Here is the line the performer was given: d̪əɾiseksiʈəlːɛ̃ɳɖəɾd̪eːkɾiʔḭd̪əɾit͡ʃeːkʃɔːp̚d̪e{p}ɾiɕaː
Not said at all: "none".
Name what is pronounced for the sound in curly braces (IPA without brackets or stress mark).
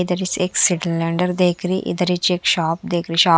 k